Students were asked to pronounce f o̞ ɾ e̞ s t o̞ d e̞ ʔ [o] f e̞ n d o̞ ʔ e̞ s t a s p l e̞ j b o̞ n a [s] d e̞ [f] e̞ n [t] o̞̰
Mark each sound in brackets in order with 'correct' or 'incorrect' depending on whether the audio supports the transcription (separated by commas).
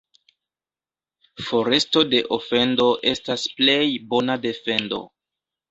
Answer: correct, incorrect, correct, incorrect